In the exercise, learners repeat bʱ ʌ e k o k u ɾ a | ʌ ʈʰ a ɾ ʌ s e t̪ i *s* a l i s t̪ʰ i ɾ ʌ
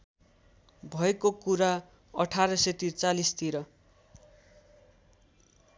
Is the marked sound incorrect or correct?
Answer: incorrect